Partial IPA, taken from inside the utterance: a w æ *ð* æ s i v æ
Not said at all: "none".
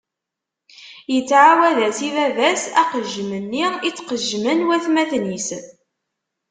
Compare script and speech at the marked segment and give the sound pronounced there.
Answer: ð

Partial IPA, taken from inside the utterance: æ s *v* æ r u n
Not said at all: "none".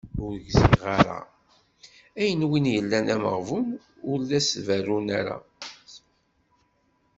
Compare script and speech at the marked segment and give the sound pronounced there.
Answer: v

